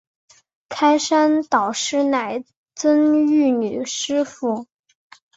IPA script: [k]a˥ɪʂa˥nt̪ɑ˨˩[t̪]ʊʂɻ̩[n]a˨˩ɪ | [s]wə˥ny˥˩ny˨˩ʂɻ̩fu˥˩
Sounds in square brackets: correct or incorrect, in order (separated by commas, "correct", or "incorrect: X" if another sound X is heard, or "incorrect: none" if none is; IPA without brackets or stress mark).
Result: incorrect: kʰ, incorrect: none, correct, incorrect: t͡s